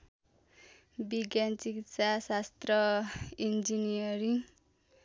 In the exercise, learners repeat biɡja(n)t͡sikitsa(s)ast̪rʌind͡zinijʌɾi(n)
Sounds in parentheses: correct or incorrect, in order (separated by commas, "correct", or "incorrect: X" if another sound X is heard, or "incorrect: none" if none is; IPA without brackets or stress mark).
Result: correct, correct, incorrect: ŋ